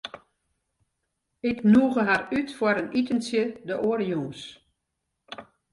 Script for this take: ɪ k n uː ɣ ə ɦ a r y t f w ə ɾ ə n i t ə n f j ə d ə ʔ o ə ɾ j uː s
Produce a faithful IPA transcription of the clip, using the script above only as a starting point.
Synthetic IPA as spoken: ɪ k n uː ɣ ə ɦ a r y t f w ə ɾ ə n i t ə n s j ə d ə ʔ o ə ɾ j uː s